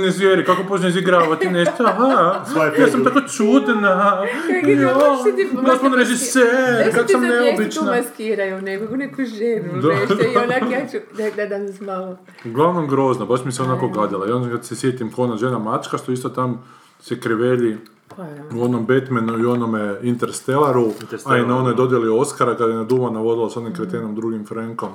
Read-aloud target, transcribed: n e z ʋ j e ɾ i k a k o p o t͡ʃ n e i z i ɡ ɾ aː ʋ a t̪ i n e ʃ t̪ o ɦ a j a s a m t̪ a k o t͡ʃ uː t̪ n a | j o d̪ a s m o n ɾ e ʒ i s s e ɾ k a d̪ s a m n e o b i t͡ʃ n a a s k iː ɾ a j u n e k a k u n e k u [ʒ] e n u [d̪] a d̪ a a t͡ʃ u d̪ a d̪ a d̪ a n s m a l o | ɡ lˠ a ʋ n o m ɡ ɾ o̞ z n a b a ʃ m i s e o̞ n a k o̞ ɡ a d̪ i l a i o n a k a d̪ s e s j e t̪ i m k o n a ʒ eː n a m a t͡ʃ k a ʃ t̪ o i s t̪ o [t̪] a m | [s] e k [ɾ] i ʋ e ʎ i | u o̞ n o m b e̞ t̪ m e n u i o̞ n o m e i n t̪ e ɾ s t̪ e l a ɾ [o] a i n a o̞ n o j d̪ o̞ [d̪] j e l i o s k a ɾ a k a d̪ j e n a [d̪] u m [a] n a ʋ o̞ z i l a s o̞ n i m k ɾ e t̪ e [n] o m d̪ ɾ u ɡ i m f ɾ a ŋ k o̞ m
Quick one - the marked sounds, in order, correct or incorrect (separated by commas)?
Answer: correct, correct, correct, correct, correct, incorrect, correct, correct, correct, correct